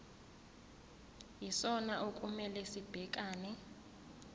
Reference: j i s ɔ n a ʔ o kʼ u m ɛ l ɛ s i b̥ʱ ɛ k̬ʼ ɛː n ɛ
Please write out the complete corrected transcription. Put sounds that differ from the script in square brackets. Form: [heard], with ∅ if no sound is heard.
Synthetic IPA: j i s ɔ n a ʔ o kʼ u m ɛ l ɛ s i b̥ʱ ɛ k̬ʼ [aː] n ɛ